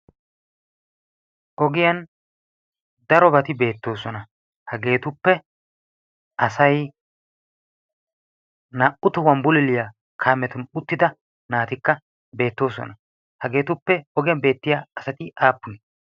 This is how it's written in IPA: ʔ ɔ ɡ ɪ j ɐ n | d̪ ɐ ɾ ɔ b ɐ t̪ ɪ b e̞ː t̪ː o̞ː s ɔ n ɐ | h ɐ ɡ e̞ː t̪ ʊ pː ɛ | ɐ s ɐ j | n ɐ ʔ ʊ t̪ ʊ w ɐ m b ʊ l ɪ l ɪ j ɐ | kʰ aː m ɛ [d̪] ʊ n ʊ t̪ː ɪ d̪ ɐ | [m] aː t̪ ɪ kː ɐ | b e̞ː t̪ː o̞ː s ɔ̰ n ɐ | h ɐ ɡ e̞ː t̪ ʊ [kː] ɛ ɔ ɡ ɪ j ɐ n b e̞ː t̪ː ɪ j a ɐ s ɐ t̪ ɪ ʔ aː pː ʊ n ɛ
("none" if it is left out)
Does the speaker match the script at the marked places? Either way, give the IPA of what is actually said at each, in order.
t̪, n, pː

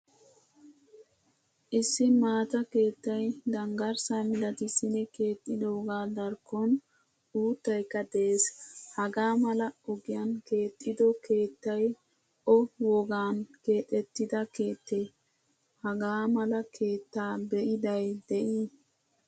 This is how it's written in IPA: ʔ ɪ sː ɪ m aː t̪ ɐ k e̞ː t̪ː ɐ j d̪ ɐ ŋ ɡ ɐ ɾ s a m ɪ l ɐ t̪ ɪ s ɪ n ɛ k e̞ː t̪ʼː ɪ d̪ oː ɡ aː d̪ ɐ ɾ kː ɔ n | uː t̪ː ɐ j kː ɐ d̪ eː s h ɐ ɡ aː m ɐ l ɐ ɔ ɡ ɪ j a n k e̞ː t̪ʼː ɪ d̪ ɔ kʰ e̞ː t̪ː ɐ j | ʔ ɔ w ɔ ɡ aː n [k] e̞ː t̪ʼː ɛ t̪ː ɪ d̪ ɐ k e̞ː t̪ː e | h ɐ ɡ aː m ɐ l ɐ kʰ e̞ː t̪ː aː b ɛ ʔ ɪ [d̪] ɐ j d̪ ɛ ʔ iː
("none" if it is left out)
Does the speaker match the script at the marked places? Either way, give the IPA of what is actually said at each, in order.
k, d̪

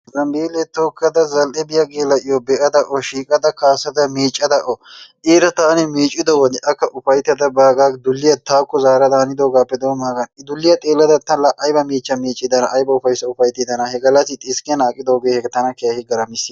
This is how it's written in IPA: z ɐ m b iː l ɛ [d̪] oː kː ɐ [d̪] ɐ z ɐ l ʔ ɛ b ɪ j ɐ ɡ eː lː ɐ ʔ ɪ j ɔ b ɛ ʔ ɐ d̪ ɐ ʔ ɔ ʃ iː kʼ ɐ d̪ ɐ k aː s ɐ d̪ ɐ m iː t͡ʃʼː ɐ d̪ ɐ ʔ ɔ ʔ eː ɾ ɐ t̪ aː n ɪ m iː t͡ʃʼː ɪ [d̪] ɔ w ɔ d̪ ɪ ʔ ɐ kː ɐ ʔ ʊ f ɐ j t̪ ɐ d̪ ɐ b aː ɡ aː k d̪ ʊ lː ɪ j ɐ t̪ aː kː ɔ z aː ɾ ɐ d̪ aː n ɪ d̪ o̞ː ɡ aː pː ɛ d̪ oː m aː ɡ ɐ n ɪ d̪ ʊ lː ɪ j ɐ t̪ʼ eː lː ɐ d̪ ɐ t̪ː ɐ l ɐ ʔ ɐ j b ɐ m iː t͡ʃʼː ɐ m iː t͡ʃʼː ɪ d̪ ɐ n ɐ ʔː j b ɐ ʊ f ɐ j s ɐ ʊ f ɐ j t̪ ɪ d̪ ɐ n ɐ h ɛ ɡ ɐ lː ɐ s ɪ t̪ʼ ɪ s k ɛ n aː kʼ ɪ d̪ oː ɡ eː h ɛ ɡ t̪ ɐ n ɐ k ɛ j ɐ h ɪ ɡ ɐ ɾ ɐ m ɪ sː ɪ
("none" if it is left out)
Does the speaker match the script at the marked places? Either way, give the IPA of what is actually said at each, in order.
t̪, d̪, d̪

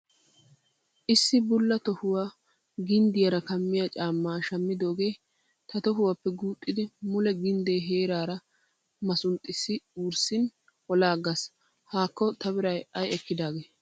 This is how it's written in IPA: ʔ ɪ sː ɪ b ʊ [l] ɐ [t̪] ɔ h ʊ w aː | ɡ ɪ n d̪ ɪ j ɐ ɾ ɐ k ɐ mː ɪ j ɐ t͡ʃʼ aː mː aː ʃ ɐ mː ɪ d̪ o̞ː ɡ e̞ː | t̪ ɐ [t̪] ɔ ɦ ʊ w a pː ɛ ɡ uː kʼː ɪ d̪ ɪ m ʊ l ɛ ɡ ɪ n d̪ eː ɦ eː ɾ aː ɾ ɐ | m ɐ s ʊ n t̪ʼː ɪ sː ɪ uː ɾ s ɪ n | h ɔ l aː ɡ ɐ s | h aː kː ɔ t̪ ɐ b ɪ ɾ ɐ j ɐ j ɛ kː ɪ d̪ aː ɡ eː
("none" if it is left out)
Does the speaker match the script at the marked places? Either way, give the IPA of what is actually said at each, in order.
lː, t̪, t̪

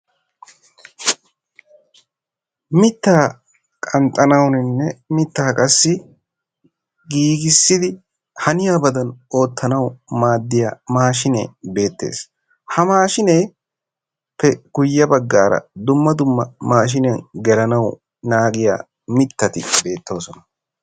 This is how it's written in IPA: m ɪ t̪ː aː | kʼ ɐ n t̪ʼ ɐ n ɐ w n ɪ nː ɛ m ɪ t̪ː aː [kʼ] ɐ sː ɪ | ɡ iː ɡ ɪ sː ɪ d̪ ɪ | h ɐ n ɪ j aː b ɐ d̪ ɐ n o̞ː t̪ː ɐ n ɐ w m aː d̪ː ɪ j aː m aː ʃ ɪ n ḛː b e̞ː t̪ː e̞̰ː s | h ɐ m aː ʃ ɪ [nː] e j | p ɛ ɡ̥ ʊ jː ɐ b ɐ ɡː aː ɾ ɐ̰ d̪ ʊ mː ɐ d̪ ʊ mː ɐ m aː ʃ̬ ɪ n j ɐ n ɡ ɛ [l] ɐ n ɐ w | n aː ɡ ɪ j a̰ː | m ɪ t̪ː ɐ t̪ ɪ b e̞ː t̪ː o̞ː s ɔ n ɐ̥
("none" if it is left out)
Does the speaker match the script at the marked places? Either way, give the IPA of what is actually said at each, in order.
kʼ, n, l

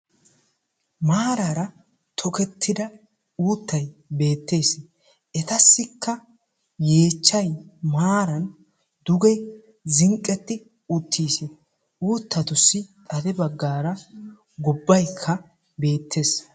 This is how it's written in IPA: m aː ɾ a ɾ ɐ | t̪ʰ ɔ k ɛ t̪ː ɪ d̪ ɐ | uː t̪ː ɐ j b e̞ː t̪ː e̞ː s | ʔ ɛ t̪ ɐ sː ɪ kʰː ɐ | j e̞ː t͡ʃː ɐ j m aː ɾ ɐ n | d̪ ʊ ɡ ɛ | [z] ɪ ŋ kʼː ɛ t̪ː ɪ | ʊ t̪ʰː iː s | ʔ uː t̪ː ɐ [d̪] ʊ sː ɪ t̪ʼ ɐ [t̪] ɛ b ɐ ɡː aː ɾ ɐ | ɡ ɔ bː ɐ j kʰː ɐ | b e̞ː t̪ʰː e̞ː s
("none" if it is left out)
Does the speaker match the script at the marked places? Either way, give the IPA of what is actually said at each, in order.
z, t̪, d̪

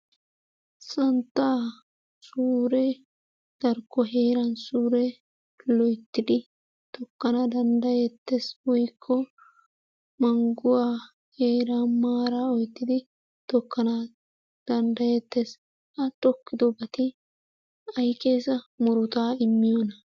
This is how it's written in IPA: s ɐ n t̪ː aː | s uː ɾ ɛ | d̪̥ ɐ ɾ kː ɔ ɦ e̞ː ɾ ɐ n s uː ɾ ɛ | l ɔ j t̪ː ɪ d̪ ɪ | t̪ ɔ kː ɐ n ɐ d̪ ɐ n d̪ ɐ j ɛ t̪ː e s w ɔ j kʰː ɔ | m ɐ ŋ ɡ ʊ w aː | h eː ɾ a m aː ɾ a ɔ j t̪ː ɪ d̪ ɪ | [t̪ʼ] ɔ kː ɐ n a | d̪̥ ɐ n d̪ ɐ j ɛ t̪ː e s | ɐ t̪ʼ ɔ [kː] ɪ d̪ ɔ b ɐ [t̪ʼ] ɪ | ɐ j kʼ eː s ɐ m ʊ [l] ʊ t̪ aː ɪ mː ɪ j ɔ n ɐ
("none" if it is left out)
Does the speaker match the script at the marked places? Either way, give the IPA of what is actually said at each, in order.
t̪, kː, t̪, ɾ

